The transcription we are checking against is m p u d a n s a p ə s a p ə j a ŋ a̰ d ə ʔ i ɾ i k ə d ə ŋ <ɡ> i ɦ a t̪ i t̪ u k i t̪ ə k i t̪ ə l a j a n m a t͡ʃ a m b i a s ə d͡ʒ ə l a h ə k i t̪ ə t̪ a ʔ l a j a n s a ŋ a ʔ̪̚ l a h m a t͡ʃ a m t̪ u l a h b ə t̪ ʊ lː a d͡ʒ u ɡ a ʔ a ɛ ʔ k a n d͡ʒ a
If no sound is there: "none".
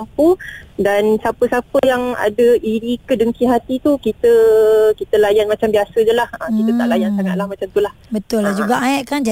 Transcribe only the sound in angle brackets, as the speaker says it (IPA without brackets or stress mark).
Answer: k